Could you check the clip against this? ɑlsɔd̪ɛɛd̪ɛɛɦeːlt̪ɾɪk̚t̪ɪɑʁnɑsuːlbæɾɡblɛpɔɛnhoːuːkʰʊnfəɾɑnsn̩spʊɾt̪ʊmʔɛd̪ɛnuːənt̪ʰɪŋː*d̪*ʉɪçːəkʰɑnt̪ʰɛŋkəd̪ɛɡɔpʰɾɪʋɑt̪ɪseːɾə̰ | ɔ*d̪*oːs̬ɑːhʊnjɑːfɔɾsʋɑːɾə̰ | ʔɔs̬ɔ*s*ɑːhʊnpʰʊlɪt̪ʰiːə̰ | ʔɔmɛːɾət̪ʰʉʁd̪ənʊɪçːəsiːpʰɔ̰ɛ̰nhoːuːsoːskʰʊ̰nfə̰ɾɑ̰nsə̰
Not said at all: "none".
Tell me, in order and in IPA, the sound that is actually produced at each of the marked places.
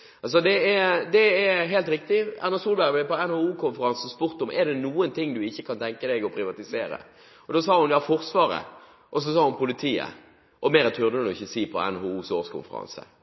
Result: d̪, d̪, s

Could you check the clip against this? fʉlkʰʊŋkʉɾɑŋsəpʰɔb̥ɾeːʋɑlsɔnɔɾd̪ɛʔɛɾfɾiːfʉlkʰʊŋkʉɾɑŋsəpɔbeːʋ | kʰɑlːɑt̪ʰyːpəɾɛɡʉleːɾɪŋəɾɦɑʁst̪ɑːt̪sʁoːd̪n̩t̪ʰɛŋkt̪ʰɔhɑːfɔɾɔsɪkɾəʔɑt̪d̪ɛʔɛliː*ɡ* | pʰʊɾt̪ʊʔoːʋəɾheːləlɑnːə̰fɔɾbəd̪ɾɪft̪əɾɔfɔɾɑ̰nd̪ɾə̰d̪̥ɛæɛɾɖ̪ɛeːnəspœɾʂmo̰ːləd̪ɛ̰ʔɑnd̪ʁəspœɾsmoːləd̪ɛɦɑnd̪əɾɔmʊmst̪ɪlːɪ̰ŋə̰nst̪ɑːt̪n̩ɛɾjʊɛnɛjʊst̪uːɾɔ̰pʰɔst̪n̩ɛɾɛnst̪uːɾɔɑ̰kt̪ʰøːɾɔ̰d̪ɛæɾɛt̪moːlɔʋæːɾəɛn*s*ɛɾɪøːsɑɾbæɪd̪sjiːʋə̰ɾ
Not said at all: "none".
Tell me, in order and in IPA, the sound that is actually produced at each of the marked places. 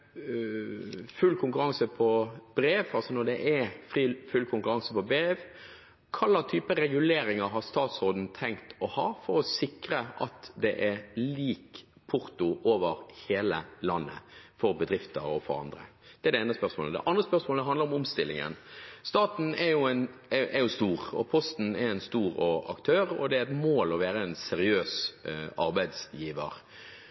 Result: k, s

